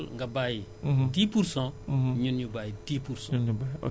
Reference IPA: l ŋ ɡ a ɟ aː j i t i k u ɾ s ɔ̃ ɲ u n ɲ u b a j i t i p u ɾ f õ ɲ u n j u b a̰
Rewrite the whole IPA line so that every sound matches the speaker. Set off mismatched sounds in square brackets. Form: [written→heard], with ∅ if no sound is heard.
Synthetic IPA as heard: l ŋ ɡ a [ɟ→b] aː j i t i [k→p] u ɾ s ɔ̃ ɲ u n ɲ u b a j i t i p u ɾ [f→s] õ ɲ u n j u b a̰